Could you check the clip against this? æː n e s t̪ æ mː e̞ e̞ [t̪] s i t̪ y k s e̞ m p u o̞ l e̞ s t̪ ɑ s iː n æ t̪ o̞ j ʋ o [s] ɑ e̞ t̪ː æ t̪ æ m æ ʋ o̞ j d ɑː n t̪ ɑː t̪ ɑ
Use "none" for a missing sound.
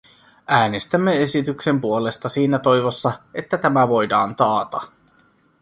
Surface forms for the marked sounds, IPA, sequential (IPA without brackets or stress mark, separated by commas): none, sː